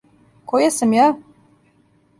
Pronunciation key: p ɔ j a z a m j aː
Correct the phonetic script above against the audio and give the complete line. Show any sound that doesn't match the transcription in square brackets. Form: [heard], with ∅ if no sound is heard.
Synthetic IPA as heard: [k] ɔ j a [s] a m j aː